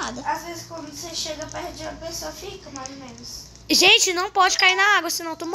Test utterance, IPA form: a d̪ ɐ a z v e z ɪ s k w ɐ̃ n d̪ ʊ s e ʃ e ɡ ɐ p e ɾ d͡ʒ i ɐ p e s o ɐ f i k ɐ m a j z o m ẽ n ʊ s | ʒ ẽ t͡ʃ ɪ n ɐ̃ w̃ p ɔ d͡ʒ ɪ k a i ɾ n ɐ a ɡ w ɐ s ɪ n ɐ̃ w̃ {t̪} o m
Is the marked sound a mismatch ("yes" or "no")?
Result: no